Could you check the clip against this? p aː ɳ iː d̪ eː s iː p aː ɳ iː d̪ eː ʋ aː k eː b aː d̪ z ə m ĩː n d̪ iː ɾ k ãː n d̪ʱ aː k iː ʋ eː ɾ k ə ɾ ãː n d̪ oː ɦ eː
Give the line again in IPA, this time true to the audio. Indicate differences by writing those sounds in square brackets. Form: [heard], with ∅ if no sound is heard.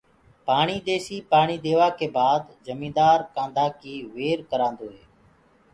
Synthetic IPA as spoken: p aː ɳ iː d̪ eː s iː p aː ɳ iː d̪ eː ʋ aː k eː b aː d̪ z ə m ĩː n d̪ [aː] ɾ k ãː n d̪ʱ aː k iː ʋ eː ɾ k ə ɾ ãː n d̪ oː ɦ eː